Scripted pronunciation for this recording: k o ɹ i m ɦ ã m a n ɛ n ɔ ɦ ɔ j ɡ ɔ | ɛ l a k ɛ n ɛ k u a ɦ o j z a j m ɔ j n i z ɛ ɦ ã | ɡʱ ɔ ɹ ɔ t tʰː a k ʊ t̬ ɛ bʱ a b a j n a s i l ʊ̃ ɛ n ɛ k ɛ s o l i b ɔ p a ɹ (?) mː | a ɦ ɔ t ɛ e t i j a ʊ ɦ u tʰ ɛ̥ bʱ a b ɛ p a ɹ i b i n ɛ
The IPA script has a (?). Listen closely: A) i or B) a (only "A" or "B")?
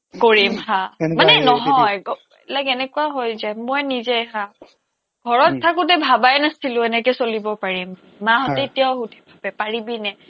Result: A